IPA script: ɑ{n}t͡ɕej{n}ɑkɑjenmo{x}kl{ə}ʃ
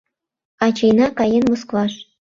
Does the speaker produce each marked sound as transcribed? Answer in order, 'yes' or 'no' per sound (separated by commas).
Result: no, yes, no, no